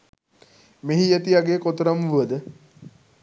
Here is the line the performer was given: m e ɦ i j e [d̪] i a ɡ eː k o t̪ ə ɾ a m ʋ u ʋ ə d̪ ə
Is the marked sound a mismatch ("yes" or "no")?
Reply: yes